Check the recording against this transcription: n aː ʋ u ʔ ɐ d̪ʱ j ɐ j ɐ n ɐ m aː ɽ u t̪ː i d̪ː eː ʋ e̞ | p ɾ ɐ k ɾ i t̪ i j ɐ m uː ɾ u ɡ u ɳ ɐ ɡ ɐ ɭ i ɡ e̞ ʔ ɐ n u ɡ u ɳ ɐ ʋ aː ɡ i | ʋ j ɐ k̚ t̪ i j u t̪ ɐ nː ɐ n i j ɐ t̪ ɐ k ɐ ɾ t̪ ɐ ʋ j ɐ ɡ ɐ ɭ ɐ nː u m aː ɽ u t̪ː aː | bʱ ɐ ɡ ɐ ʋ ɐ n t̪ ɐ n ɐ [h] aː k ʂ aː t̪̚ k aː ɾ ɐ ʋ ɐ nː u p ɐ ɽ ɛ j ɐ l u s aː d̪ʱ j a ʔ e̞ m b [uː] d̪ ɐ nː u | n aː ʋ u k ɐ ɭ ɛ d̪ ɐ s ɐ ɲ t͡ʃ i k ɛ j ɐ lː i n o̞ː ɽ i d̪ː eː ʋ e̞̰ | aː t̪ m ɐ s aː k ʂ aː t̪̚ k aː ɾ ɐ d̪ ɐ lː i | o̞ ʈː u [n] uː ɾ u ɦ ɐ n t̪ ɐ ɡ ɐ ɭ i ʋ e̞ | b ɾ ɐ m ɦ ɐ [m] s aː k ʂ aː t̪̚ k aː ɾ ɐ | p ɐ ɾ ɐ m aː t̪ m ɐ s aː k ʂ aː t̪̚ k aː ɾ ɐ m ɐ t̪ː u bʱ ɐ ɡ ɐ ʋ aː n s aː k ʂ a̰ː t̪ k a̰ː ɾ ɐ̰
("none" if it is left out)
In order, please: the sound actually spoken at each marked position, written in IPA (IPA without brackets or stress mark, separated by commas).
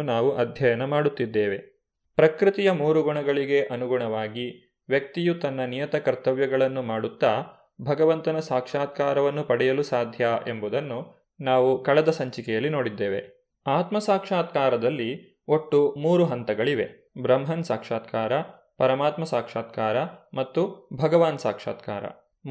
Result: s, u, m, n